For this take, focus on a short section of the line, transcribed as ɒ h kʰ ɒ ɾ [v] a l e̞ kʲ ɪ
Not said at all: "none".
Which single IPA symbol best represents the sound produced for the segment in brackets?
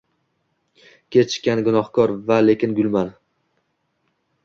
v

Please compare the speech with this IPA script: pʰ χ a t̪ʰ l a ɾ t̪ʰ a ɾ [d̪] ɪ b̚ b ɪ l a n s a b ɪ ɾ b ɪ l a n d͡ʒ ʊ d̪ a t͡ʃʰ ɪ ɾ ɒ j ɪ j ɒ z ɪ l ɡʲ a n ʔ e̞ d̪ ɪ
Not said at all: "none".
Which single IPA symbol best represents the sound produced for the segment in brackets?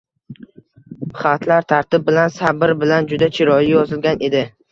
t̪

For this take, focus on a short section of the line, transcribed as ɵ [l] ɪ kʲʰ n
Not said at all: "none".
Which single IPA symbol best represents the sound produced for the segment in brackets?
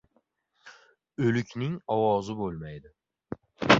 l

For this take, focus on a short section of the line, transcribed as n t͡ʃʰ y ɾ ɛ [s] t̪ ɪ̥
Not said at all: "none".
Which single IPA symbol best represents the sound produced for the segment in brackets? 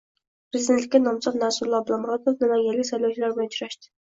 ʃ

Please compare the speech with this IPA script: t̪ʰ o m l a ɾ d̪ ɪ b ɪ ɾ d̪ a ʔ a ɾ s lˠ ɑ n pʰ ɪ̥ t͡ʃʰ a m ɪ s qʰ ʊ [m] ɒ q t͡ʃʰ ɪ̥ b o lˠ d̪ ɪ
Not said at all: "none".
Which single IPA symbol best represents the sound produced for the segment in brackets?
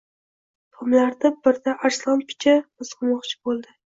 m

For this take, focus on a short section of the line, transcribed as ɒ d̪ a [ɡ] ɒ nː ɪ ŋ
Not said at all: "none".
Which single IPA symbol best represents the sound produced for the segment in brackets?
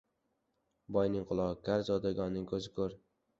ɡ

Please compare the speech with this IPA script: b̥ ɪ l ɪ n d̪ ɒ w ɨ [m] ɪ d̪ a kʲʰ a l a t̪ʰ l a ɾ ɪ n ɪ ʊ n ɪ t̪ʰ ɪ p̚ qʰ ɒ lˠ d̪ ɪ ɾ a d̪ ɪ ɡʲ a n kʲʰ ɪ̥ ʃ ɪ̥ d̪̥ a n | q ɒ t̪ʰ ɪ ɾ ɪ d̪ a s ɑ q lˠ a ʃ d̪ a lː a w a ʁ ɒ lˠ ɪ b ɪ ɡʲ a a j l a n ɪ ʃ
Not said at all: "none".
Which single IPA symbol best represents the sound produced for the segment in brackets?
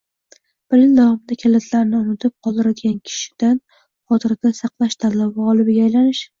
m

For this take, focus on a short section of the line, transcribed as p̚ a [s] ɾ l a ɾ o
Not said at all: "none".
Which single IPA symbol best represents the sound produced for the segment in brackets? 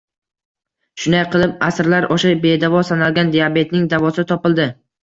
s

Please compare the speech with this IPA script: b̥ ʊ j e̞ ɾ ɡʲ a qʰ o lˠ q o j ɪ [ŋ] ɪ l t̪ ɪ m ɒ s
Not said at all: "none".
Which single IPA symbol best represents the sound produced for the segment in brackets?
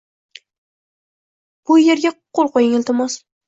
ŋ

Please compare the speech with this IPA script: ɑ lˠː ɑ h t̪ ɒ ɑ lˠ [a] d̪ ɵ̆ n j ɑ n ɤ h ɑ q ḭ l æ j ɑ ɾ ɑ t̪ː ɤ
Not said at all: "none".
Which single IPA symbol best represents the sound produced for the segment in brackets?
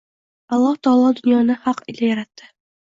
ɑ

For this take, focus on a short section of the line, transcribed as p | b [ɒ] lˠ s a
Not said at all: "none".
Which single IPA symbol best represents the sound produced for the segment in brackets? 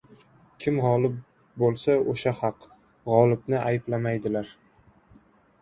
o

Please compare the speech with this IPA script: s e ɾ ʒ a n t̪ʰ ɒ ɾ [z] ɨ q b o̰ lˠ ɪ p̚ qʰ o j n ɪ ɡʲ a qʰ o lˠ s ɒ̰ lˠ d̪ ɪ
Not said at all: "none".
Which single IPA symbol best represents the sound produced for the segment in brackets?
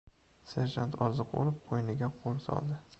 z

